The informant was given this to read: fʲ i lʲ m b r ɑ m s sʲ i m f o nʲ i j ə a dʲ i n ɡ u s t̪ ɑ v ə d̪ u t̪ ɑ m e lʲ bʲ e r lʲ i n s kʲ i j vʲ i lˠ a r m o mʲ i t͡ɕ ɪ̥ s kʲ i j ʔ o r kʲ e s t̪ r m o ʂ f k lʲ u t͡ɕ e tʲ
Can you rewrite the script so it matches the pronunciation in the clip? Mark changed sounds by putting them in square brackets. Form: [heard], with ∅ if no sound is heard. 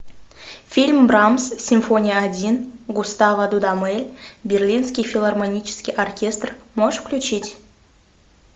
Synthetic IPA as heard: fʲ i lʲ m b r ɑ m s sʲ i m f o nʲ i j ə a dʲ i n ɡ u s t̪ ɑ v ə d̪ u [d̪] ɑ m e lʲ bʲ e r lʲ i n s kʲ i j [fʲ] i lˠ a r m o [nʲ] i t͡ɕ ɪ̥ s kʲ i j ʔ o r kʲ e s t̪ r m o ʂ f k lʲ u t͡ɕ [i] tʲ

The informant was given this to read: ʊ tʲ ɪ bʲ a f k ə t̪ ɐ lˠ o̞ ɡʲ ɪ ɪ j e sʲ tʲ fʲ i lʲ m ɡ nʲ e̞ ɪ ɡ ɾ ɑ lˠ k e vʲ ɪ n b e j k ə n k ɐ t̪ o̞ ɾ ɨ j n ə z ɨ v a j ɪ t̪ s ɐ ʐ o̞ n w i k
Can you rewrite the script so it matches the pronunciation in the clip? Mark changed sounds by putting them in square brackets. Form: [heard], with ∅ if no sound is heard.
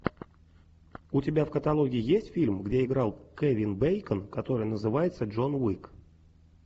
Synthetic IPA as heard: ʊ tʲ ɪ bʲ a f k ə t̪ ɐ lˠ o̞ ɡʲ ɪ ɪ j e sʲ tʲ fʲ i lʲ m ɡ [dʲ] e̞ ɪ ɡ ɾ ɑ lˠ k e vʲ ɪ n b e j k ə n k ɐ t̪ o̞ ɾ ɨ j n ə z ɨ v a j ɪ t̪ s [ə] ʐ o̞ n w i k

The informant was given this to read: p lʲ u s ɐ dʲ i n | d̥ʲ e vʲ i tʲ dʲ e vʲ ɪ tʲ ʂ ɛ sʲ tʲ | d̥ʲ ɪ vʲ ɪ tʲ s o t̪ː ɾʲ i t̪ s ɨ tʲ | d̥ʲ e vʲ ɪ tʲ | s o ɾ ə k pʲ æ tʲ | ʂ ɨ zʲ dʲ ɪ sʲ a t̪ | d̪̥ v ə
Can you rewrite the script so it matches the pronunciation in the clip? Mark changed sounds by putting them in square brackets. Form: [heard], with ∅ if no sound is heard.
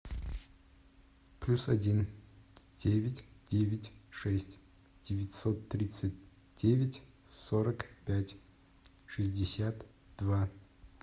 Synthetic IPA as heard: p lʲ u s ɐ dʲ i n | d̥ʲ e vʲ [ɪ] tʲ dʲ e vʲ ɪ tʲ ʂ ɛ sʲ tʲ | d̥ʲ ɪ vʲ ɪ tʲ s o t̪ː ɾʲ i t̪ s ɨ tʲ | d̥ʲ e vʲ ɪ tʲ | s o ɾ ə k pʲ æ tʲ | ʂ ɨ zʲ dʲ ɪ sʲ a t̪ | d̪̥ v [a]

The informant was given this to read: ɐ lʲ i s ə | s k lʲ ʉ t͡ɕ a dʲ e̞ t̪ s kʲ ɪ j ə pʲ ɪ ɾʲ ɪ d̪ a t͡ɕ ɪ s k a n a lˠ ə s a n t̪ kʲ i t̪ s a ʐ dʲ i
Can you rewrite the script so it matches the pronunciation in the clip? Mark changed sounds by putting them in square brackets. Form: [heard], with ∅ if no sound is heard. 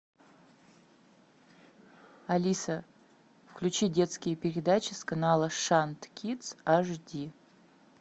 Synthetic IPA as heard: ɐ lʲ i s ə | [f] k lʲ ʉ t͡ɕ [i] dʲ e̞ t̪ s kʲ ɪ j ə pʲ ɪ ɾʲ ɪ d̪ a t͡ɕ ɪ s k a n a lˠ ə [ʂ] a n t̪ kʲ i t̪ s a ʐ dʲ i

